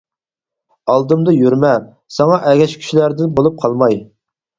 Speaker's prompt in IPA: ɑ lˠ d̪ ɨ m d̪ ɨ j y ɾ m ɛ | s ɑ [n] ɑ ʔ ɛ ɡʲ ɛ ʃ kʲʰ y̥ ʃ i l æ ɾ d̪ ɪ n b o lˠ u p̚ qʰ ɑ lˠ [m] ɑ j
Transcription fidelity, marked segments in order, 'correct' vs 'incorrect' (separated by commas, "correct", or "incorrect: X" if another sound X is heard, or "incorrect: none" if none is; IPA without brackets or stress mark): incorrect: ŋ, correct